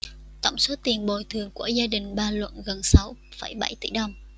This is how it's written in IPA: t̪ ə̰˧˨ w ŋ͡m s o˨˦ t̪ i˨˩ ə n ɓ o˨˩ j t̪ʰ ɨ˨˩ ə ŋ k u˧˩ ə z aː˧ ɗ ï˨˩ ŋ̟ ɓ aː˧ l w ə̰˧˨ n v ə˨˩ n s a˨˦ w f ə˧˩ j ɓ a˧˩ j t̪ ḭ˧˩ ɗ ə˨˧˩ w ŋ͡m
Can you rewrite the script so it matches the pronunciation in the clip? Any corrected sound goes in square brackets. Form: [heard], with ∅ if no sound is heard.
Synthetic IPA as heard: t̪ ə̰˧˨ w ŋ͡m s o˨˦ t̪ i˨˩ ə n ɓ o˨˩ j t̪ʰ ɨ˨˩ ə ŋ k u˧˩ ə z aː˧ ɗ ï˨˩ ŋ̟ ɓ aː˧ l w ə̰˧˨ n [ɣ] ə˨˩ n s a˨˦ w f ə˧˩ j ɓ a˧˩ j t̪ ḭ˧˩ ɗ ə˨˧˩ w ŋ͡m